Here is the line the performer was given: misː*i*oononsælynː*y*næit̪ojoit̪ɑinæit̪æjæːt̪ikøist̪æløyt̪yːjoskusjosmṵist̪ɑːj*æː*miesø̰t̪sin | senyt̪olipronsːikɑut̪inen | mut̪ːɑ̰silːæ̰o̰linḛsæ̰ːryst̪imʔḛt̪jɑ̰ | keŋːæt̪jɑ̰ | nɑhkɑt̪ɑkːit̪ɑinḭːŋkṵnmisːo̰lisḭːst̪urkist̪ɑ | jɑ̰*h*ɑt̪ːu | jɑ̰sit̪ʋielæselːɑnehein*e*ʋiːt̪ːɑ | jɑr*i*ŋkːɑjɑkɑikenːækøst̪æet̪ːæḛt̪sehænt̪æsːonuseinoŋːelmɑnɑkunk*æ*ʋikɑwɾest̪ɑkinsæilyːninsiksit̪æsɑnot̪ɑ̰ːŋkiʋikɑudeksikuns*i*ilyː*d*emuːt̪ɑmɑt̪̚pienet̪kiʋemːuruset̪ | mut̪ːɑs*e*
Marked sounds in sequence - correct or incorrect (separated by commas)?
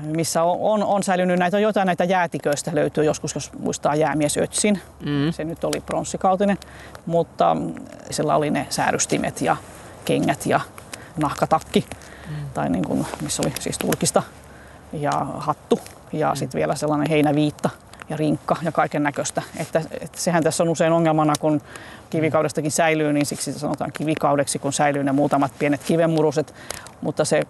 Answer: incorrect, correct, correct, correct, incorrect, correct, incorrect, incorrect, incorrect, correct